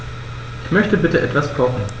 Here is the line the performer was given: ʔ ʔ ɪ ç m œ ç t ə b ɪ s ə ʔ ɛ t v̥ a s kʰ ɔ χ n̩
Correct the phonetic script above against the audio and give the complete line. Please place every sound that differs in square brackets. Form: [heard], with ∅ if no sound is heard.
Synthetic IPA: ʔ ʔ ɪ ç m œ ç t ə b ɪ [t] ə ʔ ɛ t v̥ a s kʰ ɔ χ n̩